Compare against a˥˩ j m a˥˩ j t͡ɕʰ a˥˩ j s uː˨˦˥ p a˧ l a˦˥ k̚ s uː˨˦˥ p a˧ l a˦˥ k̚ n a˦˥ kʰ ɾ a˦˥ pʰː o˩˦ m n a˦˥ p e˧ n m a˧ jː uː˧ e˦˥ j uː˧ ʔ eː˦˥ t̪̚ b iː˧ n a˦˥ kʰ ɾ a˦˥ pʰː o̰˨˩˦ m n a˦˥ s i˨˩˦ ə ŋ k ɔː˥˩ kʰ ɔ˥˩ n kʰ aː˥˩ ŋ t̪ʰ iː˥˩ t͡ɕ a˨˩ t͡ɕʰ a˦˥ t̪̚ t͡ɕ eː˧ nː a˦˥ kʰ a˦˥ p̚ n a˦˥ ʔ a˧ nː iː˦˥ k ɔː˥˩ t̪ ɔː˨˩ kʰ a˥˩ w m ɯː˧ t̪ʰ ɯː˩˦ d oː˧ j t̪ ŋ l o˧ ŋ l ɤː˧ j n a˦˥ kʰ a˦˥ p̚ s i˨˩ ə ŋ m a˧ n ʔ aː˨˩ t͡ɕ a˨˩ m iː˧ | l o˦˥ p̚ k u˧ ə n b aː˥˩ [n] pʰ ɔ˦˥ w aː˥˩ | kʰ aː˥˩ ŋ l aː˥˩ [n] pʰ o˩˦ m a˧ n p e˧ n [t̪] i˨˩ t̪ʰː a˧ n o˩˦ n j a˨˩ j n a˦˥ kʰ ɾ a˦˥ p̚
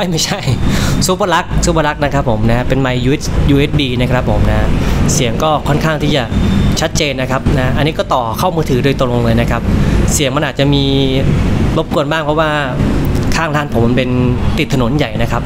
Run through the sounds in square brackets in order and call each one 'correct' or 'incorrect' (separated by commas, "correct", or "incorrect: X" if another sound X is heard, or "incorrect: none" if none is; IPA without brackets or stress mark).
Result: incorrect: ŋ, correct, correct